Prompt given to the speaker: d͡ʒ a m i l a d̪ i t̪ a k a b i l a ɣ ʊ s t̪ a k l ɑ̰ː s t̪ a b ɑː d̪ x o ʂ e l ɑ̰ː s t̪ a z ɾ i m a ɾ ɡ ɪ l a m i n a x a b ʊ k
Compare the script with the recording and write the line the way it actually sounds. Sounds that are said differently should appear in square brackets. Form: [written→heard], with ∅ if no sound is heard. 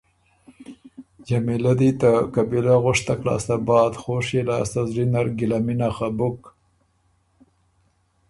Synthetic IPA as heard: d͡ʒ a m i l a d̪ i t̪ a k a b i l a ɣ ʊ [s→ʂ] t̪ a k l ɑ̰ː s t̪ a b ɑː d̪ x o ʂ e l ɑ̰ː s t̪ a z ɾ i [m→n] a ɾ ɡ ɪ l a m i n a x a b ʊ k